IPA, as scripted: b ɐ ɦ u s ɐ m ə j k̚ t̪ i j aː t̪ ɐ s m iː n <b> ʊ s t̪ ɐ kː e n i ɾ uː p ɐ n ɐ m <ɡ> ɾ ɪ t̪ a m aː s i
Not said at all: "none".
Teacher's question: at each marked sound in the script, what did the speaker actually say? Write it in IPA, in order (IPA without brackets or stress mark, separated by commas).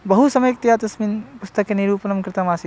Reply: p, k